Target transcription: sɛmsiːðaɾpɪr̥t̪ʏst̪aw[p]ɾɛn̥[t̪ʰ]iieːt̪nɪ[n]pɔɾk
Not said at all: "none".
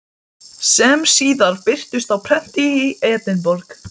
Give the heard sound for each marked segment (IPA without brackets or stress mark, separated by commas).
pʰ, t̪, n